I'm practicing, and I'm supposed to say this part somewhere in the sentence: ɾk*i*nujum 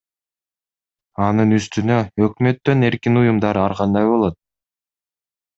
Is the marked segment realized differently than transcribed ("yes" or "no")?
no